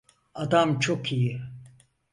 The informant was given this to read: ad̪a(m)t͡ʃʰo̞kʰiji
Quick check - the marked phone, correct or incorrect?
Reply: correct